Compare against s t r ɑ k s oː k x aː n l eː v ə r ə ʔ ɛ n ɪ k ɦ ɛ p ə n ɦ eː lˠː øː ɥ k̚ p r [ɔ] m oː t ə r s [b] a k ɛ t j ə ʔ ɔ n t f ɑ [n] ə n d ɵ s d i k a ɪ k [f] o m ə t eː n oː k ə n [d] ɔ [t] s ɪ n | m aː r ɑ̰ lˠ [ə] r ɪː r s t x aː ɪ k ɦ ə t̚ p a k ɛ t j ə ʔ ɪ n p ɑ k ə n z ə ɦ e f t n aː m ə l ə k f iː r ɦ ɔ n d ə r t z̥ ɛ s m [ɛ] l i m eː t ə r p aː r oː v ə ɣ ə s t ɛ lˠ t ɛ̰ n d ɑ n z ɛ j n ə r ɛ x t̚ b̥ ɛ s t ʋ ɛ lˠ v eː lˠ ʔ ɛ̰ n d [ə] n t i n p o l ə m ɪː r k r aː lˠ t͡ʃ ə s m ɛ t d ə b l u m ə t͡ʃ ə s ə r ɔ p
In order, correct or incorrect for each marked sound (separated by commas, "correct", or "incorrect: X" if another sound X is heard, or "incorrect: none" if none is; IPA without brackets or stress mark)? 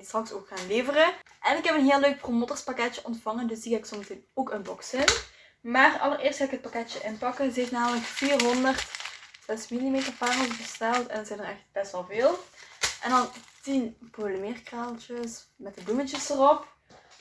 incorrect: o, incorrect: p, incorrect: ŋ, incorrect: s, incorrect: b, incorrect: k, correct, incorrect: i, incorrect: ɑ